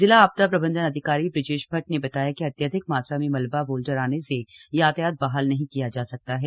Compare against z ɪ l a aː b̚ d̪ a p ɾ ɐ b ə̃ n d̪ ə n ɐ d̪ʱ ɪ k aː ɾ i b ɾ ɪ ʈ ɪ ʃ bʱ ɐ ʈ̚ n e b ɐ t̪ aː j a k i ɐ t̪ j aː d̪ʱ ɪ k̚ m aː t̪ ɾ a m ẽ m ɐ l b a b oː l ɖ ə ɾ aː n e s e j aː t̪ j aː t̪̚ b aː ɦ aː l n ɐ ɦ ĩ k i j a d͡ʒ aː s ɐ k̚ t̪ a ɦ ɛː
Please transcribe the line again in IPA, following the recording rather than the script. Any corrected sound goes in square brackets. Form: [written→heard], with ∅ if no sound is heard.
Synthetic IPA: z ɪ l a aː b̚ [d̪→t̪] a p ɾ ɐ b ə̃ n d̪ ə n ɐ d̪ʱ ɪ k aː ɾ i b ɾ ɪ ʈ ɪ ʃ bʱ ɐ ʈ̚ n e b ɐ t̪ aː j a k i ɐ t̪ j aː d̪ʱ ɪ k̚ m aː t̪ ɾ a m ẽ m ɐ l b a b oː l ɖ ə ɾ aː n e s e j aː t̪ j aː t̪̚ b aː ɦ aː l n ɐ ɦ ĩ k i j a d͡ʒ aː s ɐ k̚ t̪ a ɦ ɛː